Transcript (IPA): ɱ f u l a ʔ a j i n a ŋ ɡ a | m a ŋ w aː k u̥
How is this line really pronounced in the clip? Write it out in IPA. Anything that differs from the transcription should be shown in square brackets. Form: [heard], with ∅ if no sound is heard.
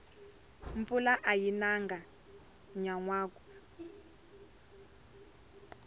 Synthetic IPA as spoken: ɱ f u l a ʔ a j i n a ŋ ɡ a | [ɲ] a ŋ w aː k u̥